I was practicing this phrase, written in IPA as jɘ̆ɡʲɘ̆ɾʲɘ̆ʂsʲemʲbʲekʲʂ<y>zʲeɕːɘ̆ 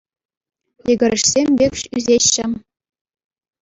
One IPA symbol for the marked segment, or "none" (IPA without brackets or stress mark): y